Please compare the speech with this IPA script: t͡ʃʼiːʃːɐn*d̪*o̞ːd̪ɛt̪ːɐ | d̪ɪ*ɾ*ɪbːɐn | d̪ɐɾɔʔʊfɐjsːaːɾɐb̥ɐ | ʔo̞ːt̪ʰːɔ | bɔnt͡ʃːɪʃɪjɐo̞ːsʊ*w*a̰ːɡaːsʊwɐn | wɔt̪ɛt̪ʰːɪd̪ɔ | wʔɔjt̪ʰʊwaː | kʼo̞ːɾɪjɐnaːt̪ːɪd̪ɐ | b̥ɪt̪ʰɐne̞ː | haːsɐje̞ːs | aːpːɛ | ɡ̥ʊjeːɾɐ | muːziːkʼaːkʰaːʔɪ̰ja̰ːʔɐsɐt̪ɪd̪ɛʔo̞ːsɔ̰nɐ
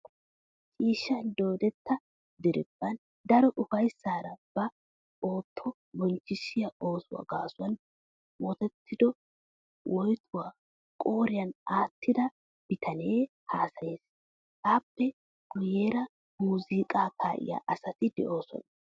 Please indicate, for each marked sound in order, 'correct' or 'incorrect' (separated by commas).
correct, correct, correct